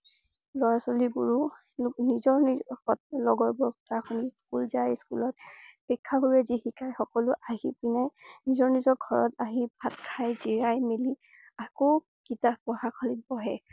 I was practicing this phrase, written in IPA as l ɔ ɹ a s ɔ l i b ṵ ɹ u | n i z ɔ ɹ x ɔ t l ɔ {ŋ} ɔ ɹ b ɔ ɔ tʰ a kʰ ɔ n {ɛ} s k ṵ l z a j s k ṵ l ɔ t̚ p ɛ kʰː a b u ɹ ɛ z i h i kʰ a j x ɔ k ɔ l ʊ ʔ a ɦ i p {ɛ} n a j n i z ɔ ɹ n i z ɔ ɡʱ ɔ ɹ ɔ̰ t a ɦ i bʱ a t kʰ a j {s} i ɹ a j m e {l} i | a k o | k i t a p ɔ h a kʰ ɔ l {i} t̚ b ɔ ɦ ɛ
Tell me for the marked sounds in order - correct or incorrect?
incorrect, incorrect, incorrect, incorrect, correct, correct

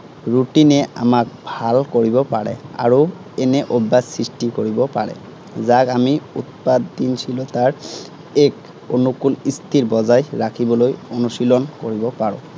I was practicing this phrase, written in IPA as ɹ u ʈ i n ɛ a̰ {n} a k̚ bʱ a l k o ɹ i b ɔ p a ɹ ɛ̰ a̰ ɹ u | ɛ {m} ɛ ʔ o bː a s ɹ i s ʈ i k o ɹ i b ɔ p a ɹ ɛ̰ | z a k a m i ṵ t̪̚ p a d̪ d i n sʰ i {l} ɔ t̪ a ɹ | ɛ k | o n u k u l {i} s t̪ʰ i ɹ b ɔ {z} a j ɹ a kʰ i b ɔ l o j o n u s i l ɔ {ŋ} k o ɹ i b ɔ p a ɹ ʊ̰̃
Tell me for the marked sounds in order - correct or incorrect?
incorrect, incorrect, correct, correct, correct, incorrect

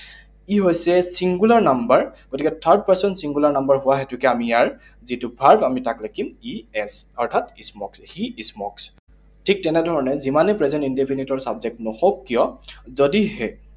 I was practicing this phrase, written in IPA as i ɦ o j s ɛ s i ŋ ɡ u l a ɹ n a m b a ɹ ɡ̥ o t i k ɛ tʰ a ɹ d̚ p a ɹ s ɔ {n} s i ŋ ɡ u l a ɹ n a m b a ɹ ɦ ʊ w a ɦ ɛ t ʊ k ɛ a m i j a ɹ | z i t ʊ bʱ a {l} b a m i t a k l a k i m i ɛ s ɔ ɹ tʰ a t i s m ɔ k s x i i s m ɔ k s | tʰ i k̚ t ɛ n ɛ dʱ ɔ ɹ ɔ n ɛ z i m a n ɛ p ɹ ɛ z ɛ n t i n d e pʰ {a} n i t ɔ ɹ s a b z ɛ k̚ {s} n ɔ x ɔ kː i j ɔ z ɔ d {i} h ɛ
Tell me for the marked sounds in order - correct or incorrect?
correct, incorrect, incorrect, incorrect, correct

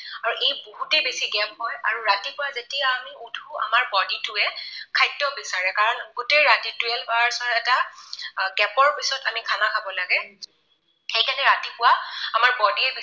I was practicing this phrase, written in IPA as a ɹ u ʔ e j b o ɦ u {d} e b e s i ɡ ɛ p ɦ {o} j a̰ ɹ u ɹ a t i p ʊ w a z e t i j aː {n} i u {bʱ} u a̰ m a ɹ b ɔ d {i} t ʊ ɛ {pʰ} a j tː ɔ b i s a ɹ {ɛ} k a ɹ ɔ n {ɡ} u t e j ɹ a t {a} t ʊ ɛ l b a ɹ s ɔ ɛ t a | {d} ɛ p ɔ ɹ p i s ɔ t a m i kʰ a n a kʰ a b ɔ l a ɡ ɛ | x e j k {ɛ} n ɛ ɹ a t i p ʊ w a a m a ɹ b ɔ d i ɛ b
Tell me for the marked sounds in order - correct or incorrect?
incorrect, incorrect, incorrect, incorrect, correct, incorrect, correct, correct, incorrect, incorrect, incorrect

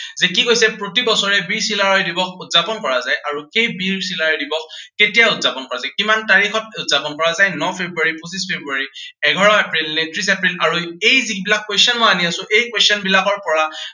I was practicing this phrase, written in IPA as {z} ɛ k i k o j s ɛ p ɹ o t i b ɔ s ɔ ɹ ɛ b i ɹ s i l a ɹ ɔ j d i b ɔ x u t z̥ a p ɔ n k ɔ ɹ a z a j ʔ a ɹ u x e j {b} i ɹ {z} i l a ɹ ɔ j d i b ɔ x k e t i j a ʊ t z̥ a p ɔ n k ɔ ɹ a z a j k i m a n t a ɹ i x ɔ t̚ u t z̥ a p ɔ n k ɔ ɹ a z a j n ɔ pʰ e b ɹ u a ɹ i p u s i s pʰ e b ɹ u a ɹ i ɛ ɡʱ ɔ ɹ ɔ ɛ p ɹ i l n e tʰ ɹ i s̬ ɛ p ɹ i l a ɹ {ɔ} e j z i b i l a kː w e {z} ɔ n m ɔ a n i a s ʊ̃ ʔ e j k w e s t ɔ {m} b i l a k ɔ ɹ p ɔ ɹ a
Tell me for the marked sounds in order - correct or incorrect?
correct, correct, incorrect, incorrect, incorrect, incorrect

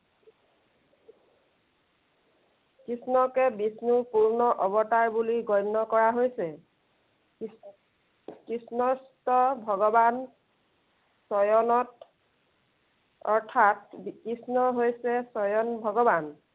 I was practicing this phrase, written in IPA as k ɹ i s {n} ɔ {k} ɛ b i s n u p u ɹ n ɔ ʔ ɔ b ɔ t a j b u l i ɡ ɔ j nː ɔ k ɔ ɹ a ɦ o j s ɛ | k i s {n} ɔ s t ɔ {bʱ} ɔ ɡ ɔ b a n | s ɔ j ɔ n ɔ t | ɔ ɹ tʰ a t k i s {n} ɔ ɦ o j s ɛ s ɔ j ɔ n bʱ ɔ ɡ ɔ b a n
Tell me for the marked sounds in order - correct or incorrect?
correct, correct, correct, correct, correct

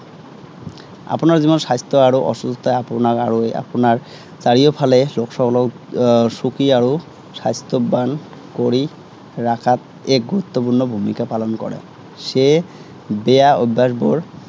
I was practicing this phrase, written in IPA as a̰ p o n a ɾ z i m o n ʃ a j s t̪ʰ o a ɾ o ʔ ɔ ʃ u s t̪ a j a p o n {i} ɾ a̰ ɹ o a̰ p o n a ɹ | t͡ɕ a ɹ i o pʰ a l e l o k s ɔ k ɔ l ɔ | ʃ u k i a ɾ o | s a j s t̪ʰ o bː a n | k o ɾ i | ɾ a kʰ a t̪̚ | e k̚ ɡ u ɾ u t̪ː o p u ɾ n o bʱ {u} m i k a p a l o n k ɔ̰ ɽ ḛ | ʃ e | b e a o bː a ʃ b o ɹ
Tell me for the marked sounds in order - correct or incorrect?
incorrect, correct

